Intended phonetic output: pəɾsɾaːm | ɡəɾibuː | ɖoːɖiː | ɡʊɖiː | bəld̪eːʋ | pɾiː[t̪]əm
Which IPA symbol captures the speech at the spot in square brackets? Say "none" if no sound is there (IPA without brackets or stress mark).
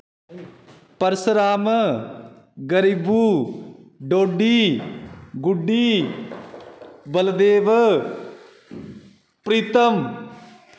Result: t̪